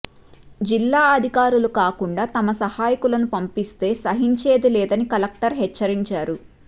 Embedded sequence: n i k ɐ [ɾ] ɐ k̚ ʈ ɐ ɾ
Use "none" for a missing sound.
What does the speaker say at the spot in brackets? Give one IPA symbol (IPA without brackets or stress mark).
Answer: l